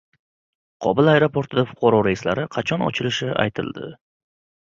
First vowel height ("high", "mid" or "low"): low